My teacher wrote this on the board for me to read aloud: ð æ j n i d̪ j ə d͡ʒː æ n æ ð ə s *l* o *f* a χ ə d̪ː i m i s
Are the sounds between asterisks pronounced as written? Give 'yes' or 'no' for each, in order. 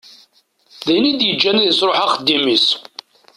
no, no

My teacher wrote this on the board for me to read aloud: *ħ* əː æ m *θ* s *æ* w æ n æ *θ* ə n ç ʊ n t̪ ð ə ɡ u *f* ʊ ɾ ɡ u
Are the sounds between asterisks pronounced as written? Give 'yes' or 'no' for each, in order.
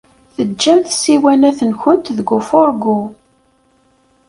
no, yes, no, yes, yes

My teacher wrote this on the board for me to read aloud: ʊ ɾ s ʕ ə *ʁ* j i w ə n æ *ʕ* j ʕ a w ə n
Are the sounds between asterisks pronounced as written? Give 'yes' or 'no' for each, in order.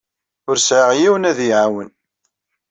yes, no

